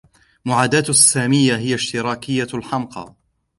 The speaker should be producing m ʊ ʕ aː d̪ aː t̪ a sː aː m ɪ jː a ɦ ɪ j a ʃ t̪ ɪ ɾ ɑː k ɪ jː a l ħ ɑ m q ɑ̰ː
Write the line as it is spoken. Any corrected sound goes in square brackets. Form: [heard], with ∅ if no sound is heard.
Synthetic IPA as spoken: m ʊ ʕ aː d̪ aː t̪ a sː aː m ɪ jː a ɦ ɪ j a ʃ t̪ ɪ ɾ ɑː k ɪ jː a l ħ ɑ m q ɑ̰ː